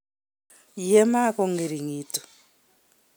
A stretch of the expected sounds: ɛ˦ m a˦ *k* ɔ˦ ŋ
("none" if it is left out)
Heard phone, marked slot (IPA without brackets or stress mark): k